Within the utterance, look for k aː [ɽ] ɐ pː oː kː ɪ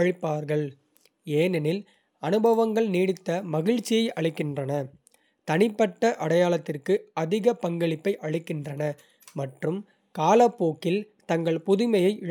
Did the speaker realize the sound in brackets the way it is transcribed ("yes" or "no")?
no